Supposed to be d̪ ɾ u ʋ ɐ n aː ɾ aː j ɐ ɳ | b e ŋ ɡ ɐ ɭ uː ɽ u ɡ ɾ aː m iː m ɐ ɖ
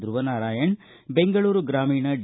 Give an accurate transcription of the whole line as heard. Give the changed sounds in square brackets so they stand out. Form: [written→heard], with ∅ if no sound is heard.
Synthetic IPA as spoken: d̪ ɾ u ʋ ɐ n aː ɾ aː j ɐ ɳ | b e ŋ ɡ ɐ ɭ uː [ɽ→ɾ] u ɡ ɾ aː m iː [m→ɳ] ɐ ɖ